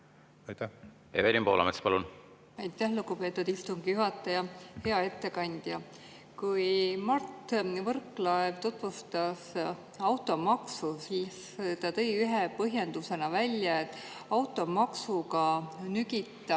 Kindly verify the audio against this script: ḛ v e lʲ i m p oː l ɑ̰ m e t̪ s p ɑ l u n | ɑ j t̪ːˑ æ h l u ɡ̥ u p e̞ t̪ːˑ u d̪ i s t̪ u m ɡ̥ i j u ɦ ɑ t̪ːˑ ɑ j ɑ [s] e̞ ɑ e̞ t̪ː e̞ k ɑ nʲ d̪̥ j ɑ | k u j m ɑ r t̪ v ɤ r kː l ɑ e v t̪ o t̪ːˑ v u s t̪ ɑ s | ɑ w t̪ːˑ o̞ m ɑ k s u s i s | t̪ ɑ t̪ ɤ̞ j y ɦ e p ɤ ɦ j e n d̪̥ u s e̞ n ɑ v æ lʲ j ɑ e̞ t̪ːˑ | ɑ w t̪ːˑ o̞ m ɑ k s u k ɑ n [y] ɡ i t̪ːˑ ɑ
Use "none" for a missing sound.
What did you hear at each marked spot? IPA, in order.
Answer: h, y

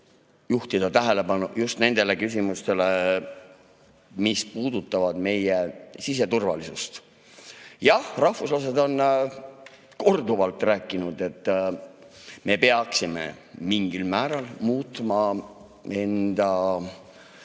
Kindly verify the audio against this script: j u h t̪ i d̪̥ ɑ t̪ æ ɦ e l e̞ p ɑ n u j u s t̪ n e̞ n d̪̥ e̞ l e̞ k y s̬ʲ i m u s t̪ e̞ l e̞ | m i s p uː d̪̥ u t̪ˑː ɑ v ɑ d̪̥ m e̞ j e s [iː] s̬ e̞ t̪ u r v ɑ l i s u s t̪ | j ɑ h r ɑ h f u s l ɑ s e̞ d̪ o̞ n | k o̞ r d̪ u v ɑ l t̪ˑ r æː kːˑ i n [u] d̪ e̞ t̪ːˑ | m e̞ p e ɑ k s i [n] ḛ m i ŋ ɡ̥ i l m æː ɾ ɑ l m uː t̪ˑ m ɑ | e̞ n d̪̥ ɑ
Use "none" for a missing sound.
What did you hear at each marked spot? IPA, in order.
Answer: i, u, m

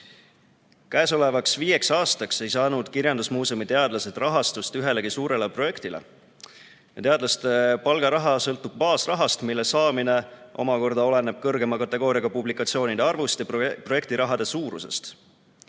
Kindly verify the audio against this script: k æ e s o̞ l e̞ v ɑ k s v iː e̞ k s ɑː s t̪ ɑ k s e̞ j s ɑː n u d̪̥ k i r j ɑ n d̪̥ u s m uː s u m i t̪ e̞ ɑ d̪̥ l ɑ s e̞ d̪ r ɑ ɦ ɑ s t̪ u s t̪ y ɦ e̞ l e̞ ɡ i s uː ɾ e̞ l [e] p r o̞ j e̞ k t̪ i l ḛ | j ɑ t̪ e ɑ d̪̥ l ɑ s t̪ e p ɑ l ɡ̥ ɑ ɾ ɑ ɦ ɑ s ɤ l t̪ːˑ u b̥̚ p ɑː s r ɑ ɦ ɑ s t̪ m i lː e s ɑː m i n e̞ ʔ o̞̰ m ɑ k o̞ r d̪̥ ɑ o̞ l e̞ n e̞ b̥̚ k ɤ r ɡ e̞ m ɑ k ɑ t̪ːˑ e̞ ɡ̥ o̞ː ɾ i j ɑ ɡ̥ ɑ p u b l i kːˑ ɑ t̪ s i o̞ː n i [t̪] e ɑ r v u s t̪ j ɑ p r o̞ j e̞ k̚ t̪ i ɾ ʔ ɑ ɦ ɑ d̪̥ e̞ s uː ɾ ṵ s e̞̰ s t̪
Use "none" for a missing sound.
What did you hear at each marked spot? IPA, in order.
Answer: e, d̪

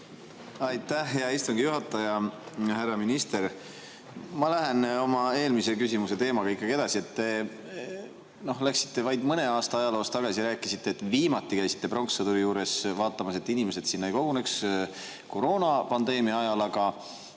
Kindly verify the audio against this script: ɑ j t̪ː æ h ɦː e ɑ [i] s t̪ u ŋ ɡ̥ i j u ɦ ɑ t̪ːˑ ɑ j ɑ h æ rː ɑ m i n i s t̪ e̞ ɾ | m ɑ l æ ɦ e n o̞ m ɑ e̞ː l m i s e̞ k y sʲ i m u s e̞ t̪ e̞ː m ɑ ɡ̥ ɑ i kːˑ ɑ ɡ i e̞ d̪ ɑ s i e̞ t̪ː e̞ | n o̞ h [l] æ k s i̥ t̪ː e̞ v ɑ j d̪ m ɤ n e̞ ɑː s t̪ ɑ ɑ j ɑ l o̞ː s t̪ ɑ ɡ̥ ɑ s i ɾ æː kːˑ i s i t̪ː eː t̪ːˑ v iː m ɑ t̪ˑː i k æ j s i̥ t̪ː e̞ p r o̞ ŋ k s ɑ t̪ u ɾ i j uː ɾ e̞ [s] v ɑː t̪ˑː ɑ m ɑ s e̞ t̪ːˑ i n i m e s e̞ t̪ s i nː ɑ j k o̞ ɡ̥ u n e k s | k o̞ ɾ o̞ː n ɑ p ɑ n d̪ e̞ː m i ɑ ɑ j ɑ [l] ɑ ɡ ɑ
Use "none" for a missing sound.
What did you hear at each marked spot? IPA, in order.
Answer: i, l, s, l

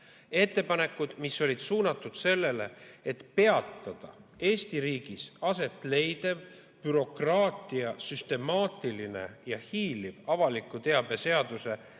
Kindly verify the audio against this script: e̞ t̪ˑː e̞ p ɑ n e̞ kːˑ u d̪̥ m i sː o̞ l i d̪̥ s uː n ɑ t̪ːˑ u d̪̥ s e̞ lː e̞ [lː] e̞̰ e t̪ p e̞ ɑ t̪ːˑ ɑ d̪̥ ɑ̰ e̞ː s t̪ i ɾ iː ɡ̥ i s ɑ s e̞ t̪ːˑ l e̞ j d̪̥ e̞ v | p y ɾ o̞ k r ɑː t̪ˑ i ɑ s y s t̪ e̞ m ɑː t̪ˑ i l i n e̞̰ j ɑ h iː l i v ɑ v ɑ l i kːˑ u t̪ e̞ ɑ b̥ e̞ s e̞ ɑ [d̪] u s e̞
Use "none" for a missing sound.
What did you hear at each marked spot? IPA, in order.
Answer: l, d̪

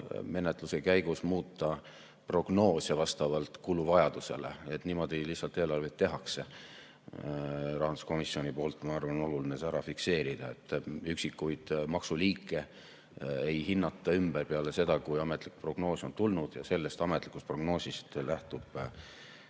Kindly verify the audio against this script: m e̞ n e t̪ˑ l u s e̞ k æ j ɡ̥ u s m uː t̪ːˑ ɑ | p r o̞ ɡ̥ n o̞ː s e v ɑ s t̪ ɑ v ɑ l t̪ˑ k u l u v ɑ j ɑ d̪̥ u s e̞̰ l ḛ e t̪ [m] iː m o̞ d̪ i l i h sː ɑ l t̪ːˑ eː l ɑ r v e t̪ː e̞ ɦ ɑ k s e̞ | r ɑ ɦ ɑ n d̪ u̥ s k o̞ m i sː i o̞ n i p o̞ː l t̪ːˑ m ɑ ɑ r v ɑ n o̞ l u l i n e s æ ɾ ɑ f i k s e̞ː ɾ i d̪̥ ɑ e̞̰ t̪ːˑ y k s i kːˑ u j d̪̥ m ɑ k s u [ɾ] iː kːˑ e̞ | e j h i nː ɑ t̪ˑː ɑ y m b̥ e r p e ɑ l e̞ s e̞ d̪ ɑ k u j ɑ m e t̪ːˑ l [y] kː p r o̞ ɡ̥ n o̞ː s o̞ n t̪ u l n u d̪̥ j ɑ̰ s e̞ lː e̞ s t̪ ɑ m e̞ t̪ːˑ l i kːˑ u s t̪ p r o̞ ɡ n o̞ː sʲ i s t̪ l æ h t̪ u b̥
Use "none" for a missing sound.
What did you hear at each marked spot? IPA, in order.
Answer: n, l, i

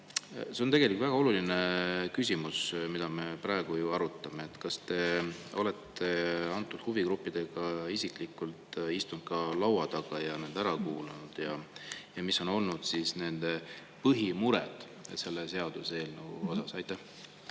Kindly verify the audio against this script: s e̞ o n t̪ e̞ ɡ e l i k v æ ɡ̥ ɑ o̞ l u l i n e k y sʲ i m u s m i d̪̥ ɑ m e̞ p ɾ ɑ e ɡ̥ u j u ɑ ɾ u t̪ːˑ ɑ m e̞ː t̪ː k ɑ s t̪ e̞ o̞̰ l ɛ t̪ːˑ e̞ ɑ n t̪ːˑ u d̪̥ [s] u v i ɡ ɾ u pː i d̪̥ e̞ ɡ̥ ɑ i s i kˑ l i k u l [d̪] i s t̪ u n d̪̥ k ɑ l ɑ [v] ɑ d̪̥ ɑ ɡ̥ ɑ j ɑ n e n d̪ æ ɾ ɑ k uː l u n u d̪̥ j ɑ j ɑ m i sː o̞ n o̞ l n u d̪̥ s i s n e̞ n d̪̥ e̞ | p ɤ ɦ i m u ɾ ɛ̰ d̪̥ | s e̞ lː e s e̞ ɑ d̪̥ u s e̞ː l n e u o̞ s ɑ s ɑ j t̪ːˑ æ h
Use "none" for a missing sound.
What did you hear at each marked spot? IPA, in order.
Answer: h, t̪, w

